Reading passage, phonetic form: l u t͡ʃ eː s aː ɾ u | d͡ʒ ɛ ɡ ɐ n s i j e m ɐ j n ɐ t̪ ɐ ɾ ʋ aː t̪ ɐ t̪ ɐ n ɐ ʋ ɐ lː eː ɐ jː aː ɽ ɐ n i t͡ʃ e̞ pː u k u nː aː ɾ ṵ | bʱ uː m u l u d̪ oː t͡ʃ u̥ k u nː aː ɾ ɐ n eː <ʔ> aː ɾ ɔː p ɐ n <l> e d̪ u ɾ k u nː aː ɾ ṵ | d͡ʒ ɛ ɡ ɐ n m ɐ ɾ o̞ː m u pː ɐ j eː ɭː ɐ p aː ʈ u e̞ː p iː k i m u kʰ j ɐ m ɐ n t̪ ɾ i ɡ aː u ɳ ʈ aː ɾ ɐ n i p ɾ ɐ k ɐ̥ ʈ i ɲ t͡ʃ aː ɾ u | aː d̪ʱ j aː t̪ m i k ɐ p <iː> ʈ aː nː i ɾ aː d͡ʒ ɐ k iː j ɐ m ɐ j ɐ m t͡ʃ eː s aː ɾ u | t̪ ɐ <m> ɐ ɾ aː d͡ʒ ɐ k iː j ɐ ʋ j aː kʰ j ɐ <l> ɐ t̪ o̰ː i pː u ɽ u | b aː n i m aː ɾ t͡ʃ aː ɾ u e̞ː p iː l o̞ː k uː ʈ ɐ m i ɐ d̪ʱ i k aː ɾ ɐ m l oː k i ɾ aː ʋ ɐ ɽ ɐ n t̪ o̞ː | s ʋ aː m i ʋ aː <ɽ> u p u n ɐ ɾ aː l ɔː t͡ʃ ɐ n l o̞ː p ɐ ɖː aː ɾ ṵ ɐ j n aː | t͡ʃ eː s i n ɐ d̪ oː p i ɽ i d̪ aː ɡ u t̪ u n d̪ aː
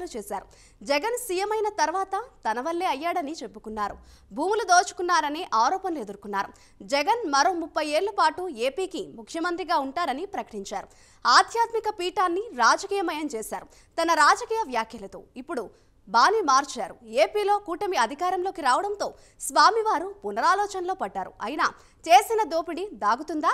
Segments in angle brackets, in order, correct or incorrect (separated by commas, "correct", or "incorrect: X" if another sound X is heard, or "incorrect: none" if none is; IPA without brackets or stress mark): correct, correct, correct, incorrect: n, correct, incorrect: ɾ